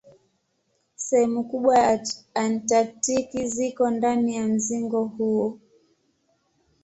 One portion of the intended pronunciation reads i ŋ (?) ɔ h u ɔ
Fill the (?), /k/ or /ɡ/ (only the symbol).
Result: ɡ